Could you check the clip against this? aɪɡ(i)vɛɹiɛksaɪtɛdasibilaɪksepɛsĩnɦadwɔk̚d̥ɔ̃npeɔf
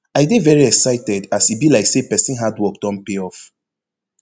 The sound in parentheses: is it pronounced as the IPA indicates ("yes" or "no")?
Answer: no